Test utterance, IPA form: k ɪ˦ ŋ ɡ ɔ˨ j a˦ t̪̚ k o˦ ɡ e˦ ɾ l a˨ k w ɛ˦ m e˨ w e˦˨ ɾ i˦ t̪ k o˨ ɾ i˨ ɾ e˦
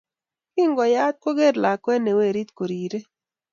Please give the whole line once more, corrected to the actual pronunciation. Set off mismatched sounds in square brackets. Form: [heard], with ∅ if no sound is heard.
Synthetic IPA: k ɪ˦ ŋ ɡ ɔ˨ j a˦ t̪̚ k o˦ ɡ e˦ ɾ l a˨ k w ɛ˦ [n] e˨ w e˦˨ ɾ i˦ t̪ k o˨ ɾ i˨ ɾ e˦